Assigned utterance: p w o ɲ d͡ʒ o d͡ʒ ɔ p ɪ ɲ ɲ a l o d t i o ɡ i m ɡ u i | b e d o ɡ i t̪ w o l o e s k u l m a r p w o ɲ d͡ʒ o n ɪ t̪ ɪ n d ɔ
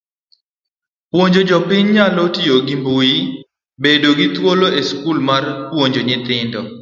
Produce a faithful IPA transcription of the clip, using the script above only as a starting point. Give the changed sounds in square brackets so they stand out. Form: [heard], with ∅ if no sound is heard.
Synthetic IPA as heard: p w o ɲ d͡ʒ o d͡ʒ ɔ p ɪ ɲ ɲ a l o [∅] t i o ɡ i m [b] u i | b e d o ɡ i t̪ w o l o e s k u l m a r p w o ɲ d͡ʒ o [ɲ] ɪ t̪ ɪ n d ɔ

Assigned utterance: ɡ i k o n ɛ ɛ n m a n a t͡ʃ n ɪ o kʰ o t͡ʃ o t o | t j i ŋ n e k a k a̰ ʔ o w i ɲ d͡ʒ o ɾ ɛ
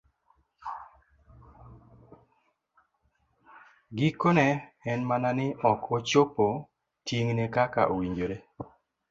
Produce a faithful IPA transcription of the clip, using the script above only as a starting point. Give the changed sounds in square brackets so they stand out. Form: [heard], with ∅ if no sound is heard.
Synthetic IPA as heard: ɡ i k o n ɛ ɛ n m a n a [∅] n ɪ [ɔ] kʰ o t͡ʃ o [p] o | t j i ŋ n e k a k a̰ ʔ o w i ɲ d͡ʒ o ɾ [e]

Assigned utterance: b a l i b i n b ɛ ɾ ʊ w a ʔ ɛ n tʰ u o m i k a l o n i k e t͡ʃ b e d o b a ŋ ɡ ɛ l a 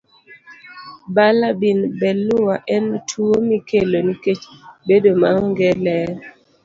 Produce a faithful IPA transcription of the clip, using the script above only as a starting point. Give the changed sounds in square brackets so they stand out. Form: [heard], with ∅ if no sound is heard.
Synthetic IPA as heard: b a l [a] b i n b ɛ [l] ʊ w a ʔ ɛ n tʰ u o m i k [e] l o n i k e t͡ʃ b e d o [m] a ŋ ɡ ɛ l [ɛ]

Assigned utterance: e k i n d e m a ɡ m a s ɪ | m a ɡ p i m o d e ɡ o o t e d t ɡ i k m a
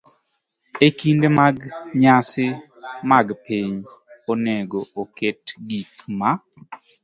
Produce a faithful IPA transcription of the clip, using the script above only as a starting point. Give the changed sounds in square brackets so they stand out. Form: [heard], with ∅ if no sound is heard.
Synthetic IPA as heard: e k i n d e m a ɡ [ɲ] a s ɪ | m a ɡ p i [ɲ] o [n] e ɡ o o [k] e [∅] t ɡ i k m a

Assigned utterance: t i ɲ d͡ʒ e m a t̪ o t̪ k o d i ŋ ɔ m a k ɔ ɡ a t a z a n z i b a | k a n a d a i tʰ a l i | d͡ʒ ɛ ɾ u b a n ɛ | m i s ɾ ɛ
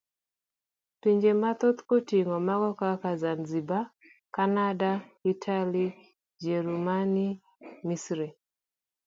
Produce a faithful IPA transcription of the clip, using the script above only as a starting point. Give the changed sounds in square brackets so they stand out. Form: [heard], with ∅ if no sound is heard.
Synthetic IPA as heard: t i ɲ d͡ʒ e m a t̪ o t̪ k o [t] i ŋ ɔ m a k ɔ [k] a [k] a z a n z i b a | k a n a d a i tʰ a l i | d͡ʒ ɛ ɾ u [m] a n [i] | m i s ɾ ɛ

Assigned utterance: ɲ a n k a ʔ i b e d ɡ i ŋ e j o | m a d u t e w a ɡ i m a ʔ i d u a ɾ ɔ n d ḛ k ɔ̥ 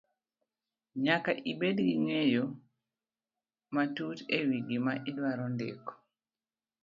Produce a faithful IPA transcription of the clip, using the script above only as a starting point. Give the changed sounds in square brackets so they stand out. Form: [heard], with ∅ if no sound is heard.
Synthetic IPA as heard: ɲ a [∅] k a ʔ i b e d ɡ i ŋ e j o | m a [t] u t e w [i] ɡ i m a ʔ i d [w] a ɾ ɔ n d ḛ k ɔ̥

